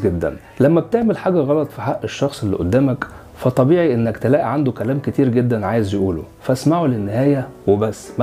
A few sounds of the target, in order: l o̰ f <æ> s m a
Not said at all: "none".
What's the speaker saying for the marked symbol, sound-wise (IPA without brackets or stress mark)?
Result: æ